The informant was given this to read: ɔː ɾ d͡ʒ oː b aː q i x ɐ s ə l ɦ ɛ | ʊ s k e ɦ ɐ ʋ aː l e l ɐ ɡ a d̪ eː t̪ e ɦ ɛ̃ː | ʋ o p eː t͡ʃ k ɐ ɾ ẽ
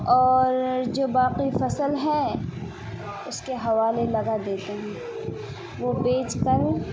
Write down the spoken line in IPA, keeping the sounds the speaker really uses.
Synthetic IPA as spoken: ɔː ɾ d͡ʒ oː b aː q i f ɐ s ə l ɦ ɛ | ʊ s k e ɦ ɐ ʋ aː l e l ɐ ɡ a d̪ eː t̪ e ɦ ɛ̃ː | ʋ o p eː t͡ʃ k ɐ ɾ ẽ

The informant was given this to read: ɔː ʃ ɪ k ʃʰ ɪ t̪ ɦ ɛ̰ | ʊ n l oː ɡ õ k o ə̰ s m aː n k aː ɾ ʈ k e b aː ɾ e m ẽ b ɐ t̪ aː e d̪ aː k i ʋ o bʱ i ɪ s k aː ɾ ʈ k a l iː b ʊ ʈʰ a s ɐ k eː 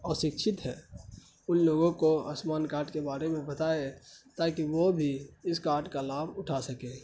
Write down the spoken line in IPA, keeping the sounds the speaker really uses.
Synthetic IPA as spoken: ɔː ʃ ɪ k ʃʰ ɪ t̪ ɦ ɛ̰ | ʊ n l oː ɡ õ k o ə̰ s m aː n k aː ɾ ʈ k e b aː ɾ e m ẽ b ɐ t̪ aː e t̪ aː k i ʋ o bʱ i ɪ s k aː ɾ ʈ k a l aː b ʊ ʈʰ a s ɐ k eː

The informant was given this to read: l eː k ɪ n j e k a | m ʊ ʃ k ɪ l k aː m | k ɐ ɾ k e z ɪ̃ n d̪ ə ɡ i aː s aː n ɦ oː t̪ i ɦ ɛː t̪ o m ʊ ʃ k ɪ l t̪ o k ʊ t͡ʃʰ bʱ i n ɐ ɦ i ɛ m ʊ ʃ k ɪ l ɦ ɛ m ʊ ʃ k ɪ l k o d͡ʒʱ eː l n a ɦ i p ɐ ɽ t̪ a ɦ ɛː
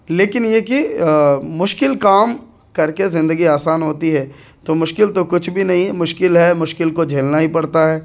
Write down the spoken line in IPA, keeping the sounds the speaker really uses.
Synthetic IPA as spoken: l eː k ɪ n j e k i | m ʊ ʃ k ɪ l k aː m | k ɐ ɾ k e z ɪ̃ n d̪ ə ɡ i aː s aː n ɦ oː t̪ i ɦ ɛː t̪ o m ʊ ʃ k ɪ l t̪ o k ʊ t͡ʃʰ bʱ i n ɐ ɦ ĩ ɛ m ʊ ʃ k ɪ l ɦ ɛ m ʊ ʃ k ɪ l k o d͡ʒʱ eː l n a ɦ i p ɐ ɽ t̪ a ɦ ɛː

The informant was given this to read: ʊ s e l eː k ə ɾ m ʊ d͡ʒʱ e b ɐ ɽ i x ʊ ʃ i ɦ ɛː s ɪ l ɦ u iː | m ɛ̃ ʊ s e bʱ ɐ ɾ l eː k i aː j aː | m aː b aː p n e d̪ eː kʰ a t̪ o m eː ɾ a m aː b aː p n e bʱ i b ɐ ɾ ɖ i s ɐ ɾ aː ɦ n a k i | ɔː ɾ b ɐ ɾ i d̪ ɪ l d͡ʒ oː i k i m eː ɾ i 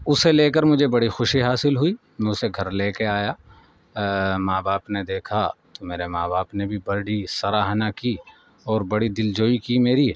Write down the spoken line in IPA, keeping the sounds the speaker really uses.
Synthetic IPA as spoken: ʊ s e l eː k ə ɾ m ʊ d͡ʒʱ e b ɐ ɽ i x ʊ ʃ i ɦ aː s ɪ l ɦ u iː | m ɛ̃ ʊ s e ɡʱ ɐ ɾ l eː k e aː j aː | m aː b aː p n e d̪ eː kʰ a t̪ o m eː ɾ e m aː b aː p n e bʱ i b ɐ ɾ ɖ i s ɐ ɾ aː ɦ n a k i | ɔː ɾ b ɐ ɽ i d̪ ɪ l d͡ʒ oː i k i m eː ɾ i

